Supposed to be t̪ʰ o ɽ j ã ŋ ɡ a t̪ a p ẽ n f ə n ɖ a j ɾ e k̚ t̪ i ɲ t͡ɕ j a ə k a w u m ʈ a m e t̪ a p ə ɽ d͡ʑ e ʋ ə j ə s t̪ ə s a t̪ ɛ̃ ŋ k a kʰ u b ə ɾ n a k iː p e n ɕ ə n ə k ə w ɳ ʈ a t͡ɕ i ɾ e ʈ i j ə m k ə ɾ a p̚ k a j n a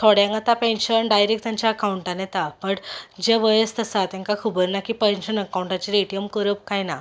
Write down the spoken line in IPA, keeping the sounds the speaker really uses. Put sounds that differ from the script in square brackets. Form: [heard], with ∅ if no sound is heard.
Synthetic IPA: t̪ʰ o ɽ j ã ŋ ɡ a t̪ a p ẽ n [ɕ] ə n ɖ a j ɾ e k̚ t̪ [a] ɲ t͡ɕ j a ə k a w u [ɳ] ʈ a [n] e t̪ a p ə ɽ d͡ʑ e ʋ ə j ə s t̪ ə s a t̪ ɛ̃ ŋ k a kʰ u b ə ɾ n a k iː p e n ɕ ə n ə k [a] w ɳ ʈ a t͡ɕ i ɾ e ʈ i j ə m k ə ɾ [ə] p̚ k a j n a